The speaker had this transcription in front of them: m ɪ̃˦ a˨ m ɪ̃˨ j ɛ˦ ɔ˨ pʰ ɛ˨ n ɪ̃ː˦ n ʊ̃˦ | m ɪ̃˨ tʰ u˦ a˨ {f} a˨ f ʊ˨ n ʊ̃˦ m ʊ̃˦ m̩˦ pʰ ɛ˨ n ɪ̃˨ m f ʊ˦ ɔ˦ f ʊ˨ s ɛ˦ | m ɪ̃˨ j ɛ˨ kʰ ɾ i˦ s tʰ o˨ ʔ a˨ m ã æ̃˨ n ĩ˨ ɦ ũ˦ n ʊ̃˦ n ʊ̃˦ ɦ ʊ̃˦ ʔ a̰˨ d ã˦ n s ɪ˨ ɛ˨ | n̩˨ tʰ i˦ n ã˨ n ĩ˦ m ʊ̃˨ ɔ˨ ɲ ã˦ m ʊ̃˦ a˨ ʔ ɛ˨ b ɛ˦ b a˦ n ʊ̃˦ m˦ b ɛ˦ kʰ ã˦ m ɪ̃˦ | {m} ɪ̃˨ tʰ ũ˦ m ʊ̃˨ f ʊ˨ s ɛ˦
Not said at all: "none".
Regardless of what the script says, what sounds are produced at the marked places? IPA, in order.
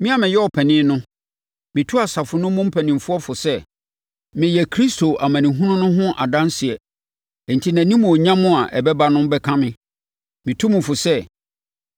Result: s, m

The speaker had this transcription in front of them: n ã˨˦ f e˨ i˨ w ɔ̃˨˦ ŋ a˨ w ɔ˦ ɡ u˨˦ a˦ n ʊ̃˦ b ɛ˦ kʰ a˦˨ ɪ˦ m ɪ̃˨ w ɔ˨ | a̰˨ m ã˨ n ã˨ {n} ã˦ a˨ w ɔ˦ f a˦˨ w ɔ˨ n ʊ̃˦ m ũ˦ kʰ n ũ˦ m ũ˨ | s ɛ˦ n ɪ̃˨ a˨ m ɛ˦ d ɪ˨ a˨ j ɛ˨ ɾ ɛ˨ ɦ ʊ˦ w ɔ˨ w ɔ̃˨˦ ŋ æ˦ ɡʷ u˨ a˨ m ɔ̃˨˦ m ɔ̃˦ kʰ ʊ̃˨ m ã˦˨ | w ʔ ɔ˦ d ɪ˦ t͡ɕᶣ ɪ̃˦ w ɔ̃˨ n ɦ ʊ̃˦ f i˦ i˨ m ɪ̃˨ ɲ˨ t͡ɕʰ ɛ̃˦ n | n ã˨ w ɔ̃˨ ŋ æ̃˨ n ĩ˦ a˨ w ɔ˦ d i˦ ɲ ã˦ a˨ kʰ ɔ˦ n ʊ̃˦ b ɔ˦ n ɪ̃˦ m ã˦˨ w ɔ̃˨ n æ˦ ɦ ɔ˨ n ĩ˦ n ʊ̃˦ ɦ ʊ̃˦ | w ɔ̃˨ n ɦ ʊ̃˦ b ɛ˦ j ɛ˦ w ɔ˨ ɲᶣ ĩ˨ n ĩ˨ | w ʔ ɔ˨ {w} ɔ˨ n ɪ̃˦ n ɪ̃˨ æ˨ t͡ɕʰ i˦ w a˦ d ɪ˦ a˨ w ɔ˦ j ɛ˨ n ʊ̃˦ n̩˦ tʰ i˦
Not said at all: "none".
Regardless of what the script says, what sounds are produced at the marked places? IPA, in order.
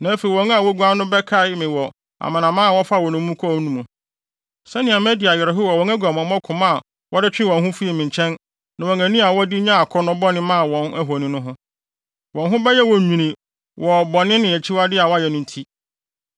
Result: m, b

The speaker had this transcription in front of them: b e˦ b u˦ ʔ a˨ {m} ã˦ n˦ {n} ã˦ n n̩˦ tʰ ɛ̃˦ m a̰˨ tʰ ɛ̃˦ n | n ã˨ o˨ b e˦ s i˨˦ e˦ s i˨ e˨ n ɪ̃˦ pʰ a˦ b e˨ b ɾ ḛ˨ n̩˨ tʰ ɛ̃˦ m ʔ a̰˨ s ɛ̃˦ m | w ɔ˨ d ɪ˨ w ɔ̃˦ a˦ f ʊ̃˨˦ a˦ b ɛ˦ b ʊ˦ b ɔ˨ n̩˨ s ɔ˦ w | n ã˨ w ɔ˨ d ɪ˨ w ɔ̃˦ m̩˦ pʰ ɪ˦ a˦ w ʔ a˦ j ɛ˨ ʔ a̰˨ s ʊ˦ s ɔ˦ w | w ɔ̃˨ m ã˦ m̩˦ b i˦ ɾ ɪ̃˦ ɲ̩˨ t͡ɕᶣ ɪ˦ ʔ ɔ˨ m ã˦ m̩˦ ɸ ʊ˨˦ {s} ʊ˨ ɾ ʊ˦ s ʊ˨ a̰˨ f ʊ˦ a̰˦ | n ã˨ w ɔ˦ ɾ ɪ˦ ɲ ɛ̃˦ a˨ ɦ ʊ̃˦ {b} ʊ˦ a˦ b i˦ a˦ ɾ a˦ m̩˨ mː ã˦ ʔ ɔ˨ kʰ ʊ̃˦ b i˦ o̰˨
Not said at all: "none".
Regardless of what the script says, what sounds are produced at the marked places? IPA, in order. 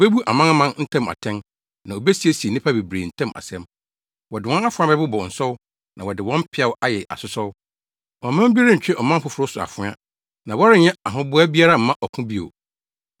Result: m, m, f, b

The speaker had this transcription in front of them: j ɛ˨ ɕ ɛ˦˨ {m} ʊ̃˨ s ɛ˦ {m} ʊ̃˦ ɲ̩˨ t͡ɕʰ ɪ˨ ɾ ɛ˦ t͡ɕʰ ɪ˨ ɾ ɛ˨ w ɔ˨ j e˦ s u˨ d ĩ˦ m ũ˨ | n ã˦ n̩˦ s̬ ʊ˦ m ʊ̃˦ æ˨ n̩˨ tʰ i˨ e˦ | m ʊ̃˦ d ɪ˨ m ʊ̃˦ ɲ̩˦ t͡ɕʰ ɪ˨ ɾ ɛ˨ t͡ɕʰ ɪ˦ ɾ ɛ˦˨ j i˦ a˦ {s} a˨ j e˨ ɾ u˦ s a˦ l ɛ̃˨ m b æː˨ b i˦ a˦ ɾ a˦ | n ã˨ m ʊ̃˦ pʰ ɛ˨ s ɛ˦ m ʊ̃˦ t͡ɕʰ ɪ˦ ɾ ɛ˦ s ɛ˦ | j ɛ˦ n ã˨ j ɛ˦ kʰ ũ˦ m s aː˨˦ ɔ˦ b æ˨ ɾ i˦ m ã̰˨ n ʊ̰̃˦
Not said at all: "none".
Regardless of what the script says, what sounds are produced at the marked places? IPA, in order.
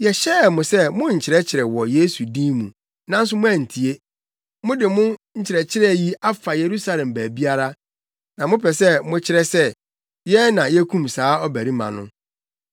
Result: m, m, f

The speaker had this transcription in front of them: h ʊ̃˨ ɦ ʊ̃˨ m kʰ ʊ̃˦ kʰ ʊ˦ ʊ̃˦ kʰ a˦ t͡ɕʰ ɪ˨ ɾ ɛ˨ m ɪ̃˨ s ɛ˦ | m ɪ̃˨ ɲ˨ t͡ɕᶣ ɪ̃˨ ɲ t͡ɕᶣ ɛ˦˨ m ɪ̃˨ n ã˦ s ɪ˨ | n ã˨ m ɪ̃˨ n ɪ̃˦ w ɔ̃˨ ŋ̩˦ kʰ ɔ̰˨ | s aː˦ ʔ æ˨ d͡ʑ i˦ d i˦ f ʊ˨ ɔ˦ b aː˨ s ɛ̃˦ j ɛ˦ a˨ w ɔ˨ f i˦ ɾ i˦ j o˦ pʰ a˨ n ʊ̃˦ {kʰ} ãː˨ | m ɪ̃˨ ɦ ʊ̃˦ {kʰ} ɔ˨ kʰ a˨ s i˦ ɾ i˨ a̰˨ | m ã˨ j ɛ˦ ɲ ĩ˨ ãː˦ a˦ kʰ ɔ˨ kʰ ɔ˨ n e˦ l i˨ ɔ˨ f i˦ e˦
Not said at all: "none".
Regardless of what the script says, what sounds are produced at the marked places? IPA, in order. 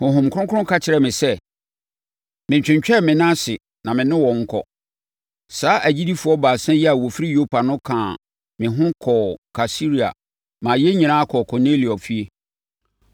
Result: kʰ, kʰ

